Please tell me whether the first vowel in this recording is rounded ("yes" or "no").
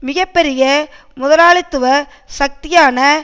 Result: no